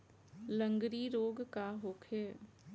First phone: l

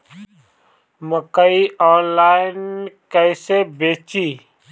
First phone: m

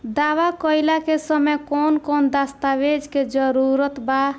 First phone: d̪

